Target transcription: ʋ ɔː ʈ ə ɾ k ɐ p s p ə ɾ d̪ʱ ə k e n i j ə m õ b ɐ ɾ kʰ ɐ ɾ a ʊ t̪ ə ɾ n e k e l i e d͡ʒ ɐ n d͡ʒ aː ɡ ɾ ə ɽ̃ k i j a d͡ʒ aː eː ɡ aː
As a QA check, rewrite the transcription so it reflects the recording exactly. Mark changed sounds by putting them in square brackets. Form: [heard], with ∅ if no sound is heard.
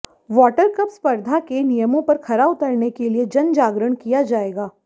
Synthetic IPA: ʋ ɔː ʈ ə ɾ k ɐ p s p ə ɾ d̪ʱ [a] k e n i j ə m õ [p] ɐ ɾ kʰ ɐ ɾ a ʊ t̪ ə ɾ n e k e l i e d͡ʒ ɐ n d͡ʒ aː ɡ ɾ ə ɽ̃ k i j a d͡ʒ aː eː ɡ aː